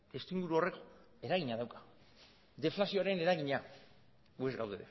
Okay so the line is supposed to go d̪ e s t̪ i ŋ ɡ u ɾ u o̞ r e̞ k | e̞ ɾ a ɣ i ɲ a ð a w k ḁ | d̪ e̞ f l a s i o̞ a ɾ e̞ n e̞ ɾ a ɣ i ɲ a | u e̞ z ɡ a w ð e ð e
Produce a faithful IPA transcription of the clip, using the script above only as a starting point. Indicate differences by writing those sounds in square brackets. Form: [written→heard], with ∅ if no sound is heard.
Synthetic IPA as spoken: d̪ e s t̪ i ŋ ɡ u ɾ u o̞ r e̞ k | e̞ ɾ a ɣ i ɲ a ð a w k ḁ | d̪ e̞ f l a s i o̞ a ɾ e̞ n e̞ ɾ a ɣ i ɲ a | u e̞ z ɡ a w ð e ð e